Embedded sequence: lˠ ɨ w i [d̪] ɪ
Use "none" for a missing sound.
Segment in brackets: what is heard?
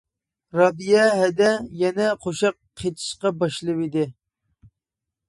d̪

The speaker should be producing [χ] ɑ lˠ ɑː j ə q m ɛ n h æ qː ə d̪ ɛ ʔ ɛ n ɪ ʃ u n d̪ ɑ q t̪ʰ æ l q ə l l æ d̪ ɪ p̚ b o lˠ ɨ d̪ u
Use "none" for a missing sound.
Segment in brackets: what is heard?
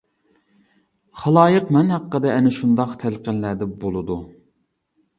χ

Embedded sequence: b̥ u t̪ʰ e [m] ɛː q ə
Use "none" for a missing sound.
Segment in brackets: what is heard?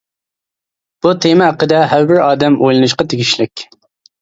m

